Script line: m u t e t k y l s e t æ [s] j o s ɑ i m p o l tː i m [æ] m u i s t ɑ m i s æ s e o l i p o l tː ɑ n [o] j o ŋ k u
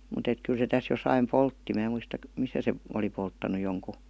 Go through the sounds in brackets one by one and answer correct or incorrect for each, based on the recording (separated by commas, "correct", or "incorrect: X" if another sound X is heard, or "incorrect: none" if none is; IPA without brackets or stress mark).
correct, incorrect: æː, incorrect: u